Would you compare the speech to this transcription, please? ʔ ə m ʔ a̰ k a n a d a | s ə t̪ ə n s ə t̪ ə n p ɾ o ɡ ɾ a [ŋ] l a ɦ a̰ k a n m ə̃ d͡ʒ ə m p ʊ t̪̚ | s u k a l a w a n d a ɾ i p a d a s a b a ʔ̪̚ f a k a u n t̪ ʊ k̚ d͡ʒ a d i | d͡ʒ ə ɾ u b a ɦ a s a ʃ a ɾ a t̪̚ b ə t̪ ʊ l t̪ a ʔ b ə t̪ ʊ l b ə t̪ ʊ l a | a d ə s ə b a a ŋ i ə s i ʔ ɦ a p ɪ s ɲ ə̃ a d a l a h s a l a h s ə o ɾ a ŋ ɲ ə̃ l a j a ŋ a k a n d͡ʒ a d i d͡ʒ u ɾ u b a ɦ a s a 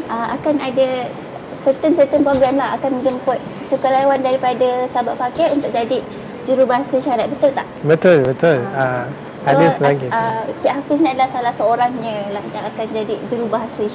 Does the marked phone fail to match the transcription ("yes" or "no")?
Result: yes